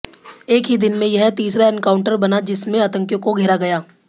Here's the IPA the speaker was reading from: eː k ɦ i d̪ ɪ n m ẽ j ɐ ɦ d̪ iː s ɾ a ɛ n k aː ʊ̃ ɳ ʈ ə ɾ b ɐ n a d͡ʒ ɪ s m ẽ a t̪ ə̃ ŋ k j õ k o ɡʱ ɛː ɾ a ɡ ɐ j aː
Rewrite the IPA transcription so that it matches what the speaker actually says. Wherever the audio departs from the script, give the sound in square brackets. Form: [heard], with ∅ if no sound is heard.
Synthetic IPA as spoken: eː k ɦ i d̪ ɪ n m ẽ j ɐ ɦ [t̪] iː s ɾ a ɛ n k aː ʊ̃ ɳ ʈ ə ɾ b ɐ n a d͡ʒ ɪ s m ẽ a t̪ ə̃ ŋ k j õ k o ɡʱ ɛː ɾ a ɡ ɐ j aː